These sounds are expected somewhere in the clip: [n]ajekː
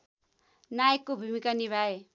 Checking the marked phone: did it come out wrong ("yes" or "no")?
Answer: no